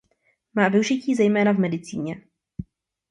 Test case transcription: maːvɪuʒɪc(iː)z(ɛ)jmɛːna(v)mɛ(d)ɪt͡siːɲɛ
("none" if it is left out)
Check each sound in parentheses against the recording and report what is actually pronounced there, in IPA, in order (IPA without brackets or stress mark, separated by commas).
iː, ɛ, v, d